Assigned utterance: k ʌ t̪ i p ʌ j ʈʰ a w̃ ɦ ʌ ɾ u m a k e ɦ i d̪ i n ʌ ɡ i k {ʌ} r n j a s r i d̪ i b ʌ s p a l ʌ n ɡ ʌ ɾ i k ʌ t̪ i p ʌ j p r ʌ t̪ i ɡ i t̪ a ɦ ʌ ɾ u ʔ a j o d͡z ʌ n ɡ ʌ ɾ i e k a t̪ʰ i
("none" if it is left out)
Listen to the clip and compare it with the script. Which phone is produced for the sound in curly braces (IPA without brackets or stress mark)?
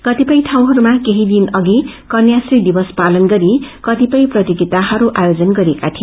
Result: ʌ